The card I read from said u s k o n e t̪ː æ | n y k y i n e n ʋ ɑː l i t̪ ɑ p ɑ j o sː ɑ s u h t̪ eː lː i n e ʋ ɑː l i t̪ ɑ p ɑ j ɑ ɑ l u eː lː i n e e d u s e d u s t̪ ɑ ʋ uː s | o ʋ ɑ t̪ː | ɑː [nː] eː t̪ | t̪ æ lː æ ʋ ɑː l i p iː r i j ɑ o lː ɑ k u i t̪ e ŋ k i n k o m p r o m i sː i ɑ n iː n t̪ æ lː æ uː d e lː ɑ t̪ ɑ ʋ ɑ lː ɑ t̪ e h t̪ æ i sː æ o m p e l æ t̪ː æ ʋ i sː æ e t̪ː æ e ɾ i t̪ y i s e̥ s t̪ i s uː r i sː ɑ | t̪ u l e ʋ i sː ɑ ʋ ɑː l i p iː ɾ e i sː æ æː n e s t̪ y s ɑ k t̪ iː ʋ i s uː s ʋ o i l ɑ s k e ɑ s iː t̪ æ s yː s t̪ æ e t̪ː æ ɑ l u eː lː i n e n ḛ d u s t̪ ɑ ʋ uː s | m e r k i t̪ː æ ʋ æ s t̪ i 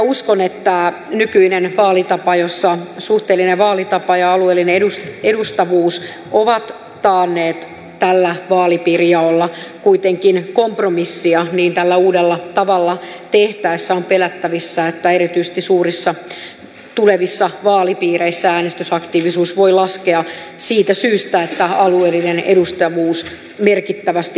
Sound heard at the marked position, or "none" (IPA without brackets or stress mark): nː